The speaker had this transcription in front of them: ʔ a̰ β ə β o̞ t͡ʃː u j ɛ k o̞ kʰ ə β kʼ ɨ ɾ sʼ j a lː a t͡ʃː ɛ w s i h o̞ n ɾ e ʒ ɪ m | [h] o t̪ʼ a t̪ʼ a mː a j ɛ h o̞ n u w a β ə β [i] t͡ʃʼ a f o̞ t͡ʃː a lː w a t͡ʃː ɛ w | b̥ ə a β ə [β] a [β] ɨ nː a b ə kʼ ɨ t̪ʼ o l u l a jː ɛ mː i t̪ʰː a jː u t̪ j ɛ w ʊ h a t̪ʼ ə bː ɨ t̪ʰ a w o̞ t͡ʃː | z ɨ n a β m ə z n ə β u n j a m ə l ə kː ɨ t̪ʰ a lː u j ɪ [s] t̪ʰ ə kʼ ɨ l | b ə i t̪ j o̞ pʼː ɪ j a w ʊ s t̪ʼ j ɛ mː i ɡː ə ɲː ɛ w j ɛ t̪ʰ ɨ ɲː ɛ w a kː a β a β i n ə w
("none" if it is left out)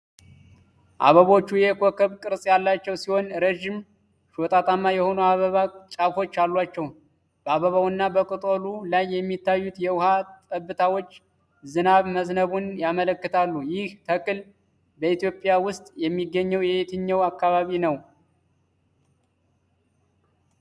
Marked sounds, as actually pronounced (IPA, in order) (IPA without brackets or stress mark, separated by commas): ʃ, a, β, w, h